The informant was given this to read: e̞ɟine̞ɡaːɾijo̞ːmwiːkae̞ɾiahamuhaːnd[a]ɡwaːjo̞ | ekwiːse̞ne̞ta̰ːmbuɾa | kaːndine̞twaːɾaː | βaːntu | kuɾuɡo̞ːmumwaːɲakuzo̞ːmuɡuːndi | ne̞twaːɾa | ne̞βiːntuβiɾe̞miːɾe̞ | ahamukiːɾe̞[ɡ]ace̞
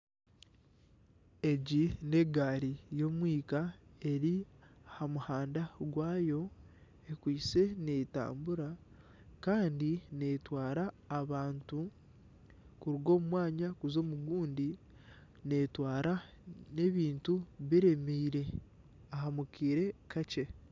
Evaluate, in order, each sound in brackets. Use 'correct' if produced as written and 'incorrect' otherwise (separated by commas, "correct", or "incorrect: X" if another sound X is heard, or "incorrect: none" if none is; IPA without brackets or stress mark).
correct, incorrect: k